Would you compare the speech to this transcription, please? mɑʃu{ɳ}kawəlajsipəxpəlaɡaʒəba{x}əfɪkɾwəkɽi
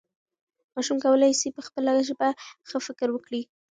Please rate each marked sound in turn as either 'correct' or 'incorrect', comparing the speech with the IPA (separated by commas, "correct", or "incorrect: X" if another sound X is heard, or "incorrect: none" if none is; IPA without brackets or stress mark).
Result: incorrect: m, correct